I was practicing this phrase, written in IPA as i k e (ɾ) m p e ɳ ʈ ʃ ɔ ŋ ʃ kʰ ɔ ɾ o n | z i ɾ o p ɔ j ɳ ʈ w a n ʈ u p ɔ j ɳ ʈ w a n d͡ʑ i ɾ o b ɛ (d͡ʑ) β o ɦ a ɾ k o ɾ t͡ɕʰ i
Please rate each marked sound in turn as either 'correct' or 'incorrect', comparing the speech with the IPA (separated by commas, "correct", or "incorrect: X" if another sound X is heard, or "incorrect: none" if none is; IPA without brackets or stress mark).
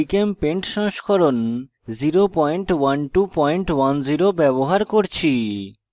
incorrect: none, incorrect: none